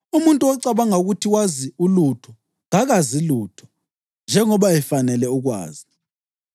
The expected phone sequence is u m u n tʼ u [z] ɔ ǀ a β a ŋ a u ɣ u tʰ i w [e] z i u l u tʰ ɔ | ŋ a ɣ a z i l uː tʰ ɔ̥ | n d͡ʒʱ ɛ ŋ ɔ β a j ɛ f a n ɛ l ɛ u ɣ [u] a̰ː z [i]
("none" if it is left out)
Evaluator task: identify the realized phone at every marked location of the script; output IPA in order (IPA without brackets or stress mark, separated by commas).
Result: none, a, w, i